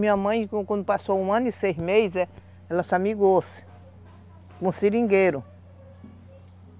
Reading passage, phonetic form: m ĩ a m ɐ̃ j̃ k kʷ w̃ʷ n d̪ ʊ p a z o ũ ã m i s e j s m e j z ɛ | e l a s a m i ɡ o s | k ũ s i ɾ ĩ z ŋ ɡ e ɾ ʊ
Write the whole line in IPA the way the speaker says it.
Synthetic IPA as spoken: m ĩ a m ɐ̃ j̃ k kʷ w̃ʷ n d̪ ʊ p a s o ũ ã n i s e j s m e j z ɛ | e l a s a m i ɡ o s | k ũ s i ɾ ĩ ŋ ɡ e ɾ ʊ